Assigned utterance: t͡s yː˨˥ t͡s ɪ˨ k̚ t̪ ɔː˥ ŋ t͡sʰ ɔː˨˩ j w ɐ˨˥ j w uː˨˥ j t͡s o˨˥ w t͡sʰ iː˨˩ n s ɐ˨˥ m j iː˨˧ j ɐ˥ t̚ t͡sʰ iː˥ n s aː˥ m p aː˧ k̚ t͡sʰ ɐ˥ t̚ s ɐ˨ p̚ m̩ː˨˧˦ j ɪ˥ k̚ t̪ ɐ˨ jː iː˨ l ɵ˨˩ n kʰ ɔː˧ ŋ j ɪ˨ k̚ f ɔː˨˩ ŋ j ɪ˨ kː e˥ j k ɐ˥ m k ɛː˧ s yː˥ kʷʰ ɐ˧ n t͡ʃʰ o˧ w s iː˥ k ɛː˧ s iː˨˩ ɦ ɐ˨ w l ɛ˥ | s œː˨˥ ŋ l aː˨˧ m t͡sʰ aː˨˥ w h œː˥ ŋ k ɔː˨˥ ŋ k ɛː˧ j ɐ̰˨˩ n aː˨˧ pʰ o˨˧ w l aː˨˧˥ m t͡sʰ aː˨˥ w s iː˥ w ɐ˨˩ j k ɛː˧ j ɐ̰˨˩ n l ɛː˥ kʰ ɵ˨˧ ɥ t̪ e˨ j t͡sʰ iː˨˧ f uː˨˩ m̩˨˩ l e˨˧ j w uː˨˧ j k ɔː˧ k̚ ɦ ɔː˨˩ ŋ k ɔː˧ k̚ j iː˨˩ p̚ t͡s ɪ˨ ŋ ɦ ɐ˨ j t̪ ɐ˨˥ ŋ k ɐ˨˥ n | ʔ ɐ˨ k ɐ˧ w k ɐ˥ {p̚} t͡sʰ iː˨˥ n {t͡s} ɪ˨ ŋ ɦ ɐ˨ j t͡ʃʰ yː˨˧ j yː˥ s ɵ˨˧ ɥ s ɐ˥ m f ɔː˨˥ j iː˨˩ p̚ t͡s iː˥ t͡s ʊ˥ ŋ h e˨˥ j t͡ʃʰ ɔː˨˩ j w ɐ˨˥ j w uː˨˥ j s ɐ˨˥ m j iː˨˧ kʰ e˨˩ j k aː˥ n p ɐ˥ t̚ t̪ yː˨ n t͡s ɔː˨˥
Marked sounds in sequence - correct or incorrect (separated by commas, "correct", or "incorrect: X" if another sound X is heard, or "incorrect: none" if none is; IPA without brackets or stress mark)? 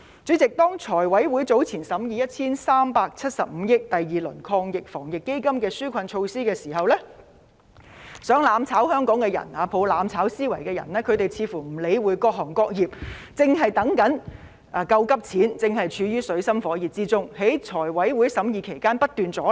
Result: correct, correct